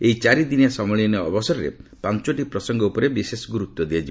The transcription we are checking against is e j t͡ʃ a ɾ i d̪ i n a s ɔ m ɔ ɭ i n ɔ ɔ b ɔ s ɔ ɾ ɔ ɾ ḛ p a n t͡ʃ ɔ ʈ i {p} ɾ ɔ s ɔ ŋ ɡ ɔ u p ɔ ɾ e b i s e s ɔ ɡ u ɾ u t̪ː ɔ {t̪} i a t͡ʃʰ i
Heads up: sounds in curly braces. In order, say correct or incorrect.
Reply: correct, incorrect: d̪

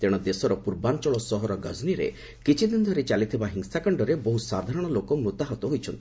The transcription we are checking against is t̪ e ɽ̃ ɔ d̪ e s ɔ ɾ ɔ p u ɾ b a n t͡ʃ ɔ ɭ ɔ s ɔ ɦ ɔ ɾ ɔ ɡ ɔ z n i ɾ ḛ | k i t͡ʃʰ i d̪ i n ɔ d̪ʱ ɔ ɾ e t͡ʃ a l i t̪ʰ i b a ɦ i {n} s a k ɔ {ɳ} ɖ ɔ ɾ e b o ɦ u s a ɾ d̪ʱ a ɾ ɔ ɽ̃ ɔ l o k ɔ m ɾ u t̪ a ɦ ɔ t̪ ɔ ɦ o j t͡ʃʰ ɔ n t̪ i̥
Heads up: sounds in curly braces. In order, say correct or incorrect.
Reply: incorrect: ŋ, correct

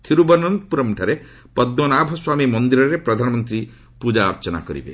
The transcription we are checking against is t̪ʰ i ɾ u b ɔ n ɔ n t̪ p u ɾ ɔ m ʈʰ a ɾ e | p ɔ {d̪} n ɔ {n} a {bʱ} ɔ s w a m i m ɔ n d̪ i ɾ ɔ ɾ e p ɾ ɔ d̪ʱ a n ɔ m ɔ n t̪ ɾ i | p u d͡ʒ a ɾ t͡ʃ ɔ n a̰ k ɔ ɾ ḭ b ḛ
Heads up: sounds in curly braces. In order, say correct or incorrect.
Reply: correct, correct, correct

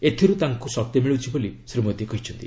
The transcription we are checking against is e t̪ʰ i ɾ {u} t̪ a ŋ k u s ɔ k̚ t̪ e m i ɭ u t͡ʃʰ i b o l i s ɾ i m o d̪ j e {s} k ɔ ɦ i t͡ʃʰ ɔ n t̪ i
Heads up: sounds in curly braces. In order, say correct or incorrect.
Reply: correct, incorrect: none

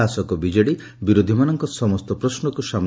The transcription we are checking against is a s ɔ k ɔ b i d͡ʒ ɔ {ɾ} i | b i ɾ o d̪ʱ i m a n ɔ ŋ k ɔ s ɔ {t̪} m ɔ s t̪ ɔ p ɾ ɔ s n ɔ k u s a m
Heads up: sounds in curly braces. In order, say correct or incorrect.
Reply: incorrect: ɽ, incorrect: none

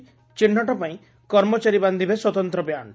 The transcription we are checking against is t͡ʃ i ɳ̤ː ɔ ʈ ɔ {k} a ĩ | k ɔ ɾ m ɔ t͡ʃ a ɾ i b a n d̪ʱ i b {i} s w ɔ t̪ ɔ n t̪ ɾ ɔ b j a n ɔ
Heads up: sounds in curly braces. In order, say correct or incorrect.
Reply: incorrect: p, incorrect: e

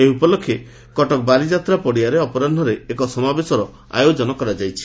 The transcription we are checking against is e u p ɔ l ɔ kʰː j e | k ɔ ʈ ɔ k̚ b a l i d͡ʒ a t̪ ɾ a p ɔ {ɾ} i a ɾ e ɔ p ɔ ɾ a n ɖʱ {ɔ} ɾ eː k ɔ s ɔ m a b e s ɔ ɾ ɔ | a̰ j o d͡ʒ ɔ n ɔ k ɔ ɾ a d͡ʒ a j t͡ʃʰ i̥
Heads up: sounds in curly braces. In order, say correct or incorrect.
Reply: incorrect: ɽ, correct

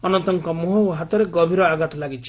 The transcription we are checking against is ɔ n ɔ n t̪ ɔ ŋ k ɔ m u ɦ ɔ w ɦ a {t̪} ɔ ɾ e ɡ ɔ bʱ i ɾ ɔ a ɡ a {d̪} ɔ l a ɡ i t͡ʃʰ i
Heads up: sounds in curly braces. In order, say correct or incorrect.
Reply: correct, incorrect: t̪

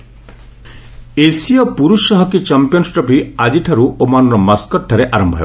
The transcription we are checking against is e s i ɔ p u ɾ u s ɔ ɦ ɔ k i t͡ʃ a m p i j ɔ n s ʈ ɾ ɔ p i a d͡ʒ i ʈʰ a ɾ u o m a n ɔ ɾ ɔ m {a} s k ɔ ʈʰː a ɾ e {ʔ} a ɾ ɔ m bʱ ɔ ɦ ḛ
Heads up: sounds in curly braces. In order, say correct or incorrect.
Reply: correct, correct

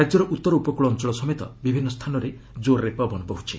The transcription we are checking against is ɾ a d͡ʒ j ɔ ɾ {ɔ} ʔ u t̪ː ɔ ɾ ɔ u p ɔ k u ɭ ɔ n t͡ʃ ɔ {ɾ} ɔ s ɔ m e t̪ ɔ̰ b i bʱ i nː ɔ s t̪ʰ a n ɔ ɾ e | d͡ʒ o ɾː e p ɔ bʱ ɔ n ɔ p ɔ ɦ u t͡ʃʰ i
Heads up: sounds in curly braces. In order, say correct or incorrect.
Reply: correct, incorrect: ɭ

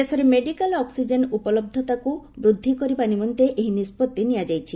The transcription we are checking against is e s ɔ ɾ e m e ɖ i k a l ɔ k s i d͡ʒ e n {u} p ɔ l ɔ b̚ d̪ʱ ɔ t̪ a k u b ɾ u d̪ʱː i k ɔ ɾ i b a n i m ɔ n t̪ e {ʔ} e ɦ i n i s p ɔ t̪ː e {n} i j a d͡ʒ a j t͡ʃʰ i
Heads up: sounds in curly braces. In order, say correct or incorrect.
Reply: correct, correct, correct

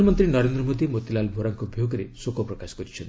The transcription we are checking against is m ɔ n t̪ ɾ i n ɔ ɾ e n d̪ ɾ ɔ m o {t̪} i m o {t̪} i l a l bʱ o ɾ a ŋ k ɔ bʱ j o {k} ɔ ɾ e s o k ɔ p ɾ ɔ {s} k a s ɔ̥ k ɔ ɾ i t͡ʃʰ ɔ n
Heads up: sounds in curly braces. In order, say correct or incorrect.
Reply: incorrect: d̪, correct, incorrect: ɡ, incorrect: none

